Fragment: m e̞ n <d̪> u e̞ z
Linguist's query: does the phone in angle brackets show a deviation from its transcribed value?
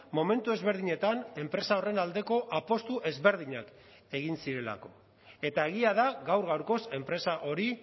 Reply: yes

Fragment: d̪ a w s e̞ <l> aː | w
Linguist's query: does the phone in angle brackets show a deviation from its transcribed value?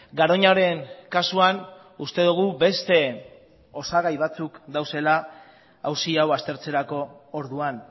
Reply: no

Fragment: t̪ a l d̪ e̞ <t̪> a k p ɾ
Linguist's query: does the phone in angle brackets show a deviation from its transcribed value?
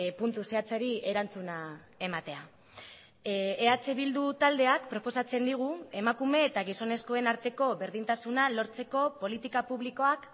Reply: yes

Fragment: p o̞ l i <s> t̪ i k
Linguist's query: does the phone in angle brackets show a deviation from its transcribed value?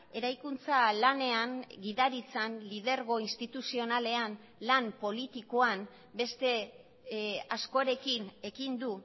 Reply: yes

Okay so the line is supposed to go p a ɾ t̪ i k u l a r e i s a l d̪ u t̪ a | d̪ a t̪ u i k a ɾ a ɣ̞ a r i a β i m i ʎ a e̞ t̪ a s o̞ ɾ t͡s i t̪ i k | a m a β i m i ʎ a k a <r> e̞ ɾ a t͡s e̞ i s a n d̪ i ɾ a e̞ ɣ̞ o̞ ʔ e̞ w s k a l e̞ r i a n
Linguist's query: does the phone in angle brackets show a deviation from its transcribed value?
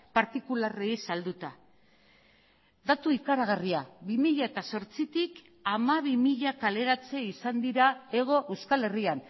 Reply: yes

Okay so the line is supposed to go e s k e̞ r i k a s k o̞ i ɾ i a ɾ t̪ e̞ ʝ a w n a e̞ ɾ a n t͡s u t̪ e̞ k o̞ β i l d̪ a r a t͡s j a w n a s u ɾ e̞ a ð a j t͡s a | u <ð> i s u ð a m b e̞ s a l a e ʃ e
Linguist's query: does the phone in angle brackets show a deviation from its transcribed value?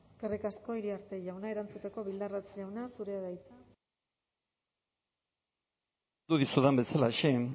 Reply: no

